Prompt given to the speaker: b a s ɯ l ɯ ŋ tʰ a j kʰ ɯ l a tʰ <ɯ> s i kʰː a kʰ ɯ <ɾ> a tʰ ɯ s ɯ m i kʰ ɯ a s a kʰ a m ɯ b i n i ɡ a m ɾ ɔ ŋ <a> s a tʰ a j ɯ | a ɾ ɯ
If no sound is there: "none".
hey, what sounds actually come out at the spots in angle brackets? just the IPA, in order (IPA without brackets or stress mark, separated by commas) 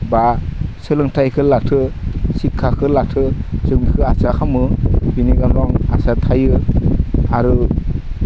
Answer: ɯ, l, a